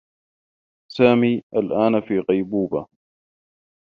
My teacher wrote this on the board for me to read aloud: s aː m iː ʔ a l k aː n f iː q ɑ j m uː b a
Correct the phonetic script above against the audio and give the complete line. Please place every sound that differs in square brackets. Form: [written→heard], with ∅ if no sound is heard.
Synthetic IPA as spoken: s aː m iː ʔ a l [k→ʔ] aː n f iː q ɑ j [m→b] uː b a